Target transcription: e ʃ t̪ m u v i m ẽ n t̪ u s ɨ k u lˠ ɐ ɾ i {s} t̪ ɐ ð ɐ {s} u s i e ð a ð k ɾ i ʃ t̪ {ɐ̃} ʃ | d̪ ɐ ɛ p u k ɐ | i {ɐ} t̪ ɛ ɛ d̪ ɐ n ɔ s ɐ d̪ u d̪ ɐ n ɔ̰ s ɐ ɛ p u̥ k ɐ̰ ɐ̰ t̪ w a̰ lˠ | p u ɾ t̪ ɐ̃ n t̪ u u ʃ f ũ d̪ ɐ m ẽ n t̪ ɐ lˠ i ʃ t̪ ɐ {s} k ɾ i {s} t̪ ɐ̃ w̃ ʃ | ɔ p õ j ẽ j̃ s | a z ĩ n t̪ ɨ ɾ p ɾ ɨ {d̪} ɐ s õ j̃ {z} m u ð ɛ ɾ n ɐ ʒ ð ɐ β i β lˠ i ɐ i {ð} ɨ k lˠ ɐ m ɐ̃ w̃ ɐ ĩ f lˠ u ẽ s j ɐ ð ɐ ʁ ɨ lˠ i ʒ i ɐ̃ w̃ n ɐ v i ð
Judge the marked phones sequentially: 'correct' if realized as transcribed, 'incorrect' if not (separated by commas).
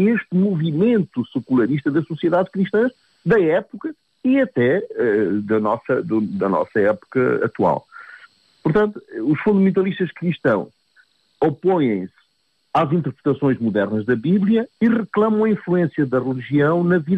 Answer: incorrect, correct, correct, correct, incorrect, incorrect, incorrect, incorrect, incorrect